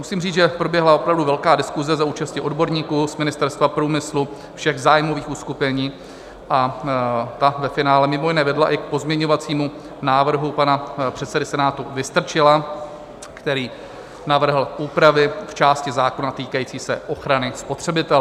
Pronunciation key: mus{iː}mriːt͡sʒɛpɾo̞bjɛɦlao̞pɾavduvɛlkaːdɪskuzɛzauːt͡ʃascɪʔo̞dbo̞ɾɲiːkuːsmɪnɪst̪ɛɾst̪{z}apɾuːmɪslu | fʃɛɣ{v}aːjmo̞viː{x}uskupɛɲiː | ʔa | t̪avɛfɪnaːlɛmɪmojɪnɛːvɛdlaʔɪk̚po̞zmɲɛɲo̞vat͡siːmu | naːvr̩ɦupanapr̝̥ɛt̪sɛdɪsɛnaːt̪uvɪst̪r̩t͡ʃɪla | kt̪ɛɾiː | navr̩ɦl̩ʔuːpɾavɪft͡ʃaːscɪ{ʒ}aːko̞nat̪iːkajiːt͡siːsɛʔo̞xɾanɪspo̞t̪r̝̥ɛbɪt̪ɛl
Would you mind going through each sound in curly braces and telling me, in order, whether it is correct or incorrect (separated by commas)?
correct, incorrect, incorrect, correct, incorrect